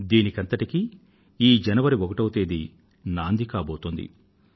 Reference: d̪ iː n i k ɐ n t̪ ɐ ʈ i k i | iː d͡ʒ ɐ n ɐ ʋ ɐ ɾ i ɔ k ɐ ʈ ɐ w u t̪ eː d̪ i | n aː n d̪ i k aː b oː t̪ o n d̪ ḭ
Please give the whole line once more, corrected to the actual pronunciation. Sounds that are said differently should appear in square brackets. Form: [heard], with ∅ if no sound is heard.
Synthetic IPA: d̪ iː n i k ɐ n t̪ ɐ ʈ i k i | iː d͡ʒ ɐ n ɐ ʋ ɐ ɾ i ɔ k ɐ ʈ ɐ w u t̪ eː d̪ i | n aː n d̪ i k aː b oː t̪ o n d̪ ḭ